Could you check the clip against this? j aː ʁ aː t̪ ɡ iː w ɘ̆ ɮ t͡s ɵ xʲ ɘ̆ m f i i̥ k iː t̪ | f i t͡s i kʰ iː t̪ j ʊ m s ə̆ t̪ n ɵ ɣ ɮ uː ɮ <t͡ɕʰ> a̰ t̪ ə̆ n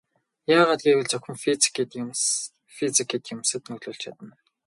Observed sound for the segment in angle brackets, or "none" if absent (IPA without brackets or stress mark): t͡ɕʰ